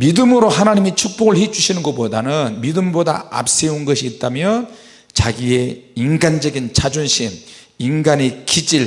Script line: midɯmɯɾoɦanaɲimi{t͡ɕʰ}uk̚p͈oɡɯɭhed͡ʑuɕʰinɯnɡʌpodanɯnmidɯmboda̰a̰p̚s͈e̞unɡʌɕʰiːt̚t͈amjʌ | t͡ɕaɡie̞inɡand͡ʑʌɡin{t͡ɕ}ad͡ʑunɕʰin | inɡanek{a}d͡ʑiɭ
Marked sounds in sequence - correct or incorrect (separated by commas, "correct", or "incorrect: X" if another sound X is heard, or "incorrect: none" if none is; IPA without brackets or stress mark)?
correct, incorrect: t͡ɕʰ, incorrect: i